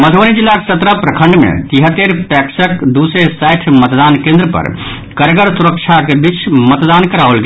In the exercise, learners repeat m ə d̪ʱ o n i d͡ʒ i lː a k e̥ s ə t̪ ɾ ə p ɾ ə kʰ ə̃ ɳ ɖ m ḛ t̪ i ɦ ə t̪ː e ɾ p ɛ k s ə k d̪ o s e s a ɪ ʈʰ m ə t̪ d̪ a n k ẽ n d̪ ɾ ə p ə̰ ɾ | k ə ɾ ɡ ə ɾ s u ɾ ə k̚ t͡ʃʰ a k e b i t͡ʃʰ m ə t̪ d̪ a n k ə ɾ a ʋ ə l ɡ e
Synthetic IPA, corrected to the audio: m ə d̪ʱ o n i d͡ʒ i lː a k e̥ s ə t̪ ɾ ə p ɾ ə kʰ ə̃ ɳ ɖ m ḛ t̪ i ɦ ə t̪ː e ɾ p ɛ k s ə k d̪ u s e s a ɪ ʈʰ m ə t̪ d̪ a n k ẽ n d̪ ɾ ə p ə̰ ɾ | k ə ɾ ɡ ə ɾ s u ɾ ə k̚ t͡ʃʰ a k e b i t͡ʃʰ m ə t̪ d̪ a n k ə ɾ a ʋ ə l ɡ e